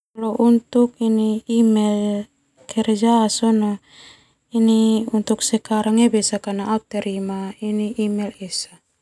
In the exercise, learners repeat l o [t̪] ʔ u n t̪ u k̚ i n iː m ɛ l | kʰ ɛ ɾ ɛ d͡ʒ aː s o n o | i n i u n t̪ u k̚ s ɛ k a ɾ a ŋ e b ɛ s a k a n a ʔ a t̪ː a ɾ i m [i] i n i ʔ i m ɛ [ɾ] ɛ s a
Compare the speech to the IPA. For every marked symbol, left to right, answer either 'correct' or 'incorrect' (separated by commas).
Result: incorrect, incorrect, incorrect